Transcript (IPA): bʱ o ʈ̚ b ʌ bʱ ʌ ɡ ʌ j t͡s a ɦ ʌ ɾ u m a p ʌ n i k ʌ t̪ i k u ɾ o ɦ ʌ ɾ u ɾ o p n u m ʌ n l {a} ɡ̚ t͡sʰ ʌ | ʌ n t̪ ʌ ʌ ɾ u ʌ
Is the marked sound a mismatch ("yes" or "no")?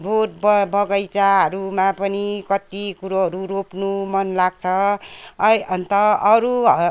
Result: no